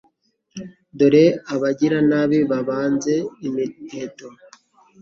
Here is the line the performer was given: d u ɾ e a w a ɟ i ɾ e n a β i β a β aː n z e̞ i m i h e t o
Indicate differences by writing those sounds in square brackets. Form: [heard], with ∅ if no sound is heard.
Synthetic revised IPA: d [o] ɾ e a [β] a ɟ i ɾ [a] n a β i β a β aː n z e̞ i m i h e t o